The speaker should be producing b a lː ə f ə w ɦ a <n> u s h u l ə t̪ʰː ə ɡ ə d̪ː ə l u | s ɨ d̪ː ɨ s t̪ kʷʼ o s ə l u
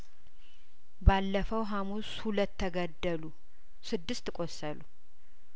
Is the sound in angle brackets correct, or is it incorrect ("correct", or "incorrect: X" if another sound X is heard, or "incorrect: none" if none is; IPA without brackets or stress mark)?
incorrect: m